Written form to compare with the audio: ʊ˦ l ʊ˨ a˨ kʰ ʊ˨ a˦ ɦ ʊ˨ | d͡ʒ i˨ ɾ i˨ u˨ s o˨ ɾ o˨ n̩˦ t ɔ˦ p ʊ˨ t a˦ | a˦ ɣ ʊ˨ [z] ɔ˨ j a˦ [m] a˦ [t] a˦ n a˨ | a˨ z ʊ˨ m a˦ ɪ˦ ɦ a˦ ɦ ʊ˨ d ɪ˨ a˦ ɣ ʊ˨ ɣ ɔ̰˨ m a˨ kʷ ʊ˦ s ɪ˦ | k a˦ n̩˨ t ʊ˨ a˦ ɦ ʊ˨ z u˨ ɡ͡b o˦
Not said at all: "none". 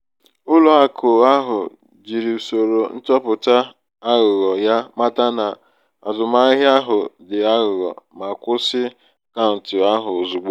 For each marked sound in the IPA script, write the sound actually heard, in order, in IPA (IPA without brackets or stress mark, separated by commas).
ɣ, m, t